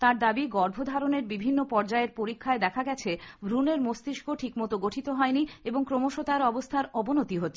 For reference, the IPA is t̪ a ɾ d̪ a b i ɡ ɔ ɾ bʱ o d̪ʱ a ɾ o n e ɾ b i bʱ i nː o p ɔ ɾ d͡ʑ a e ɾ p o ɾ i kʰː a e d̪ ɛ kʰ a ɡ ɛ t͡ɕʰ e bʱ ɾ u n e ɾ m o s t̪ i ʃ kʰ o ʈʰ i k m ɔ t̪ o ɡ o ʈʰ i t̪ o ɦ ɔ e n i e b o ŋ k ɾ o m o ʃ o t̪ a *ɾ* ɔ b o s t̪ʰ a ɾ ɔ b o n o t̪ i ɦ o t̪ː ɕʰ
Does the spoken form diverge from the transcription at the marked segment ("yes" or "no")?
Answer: no